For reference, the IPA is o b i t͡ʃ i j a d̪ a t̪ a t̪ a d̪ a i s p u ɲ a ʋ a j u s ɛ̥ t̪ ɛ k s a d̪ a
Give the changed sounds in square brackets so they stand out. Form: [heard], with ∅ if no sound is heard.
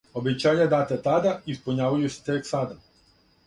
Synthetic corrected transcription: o b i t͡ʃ [a] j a d̪ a t̪ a t̪ a d̪ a i s p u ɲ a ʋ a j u s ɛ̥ t̪ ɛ k s a d̪ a